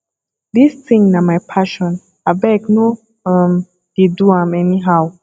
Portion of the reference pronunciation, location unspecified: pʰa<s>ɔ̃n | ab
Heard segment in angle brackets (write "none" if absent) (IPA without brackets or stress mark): ʃ